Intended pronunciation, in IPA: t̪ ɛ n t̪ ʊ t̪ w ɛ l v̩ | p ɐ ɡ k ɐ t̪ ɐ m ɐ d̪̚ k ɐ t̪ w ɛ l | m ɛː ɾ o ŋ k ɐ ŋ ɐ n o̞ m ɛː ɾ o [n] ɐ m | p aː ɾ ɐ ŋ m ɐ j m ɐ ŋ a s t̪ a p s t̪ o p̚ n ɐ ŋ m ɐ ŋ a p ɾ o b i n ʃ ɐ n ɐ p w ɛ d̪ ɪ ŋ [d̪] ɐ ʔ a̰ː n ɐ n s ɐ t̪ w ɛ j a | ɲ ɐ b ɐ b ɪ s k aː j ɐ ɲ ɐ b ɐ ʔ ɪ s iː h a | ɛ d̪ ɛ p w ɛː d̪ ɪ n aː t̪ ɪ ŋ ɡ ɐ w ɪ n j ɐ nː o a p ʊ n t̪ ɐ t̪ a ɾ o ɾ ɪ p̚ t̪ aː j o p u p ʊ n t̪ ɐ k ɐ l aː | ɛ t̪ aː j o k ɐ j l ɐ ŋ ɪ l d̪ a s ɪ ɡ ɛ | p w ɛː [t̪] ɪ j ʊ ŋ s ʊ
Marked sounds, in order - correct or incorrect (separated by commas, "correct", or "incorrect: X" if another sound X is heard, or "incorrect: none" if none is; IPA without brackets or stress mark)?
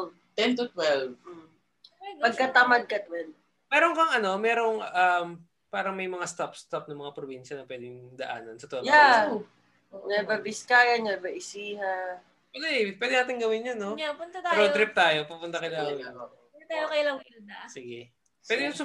incorrect: ŋ, correct, incorrect: d̪